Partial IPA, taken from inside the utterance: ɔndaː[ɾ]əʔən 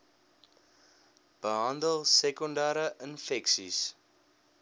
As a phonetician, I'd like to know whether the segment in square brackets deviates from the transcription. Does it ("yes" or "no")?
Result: no